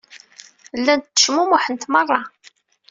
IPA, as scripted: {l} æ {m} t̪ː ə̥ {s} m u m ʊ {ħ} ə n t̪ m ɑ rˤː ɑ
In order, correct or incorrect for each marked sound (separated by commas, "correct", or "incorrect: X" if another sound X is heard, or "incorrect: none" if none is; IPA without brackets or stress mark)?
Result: incorrect: lː, incorrect: n, incorrect: ʃ, correct